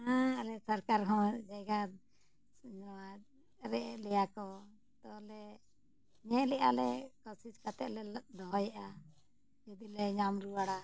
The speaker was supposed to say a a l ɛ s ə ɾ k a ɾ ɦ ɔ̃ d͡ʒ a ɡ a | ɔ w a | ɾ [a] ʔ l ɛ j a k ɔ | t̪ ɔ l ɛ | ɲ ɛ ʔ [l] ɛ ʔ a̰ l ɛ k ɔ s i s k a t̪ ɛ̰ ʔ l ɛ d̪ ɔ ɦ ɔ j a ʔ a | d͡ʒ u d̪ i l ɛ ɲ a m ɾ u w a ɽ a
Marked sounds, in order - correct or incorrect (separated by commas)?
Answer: incorrect, correct